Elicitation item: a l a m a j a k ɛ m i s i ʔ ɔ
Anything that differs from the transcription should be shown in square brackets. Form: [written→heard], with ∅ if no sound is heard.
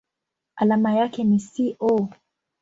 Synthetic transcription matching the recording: a l a m a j a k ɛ [m→n] i s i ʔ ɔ